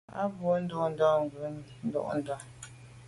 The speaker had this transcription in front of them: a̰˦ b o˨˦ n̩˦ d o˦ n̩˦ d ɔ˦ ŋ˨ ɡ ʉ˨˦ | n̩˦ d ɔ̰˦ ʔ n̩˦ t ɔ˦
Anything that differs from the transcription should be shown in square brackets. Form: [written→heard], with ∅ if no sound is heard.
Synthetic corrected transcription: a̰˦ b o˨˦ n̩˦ d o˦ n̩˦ d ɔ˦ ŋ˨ ɡ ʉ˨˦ | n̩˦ d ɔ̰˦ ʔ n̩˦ [t→d] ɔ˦